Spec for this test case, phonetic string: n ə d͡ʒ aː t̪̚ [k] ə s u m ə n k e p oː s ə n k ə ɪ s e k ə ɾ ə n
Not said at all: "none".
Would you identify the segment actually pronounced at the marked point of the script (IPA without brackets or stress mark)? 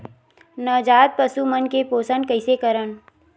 p